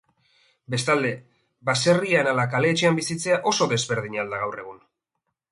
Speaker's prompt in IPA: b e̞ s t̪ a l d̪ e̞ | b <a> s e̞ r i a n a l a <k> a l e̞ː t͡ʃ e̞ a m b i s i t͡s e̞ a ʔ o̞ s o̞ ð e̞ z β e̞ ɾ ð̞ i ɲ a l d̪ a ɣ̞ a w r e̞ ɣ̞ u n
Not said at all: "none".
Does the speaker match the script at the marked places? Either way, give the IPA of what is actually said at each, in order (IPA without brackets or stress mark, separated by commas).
a, k